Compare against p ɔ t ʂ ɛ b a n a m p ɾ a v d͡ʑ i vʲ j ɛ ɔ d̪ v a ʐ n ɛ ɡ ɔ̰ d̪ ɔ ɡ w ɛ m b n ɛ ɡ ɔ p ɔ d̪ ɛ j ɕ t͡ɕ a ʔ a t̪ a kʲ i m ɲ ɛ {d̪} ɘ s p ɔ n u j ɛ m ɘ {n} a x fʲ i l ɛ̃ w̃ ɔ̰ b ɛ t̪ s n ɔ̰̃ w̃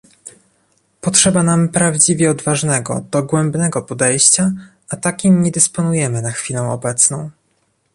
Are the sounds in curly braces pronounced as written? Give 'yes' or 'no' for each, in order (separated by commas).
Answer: yes, yes